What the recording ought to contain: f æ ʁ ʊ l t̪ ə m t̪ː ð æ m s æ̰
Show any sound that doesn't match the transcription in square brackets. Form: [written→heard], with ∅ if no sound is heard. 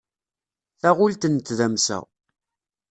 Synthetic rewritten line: [f→θ] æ ʁ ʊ l t̪ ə [m→n] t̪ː ð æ m s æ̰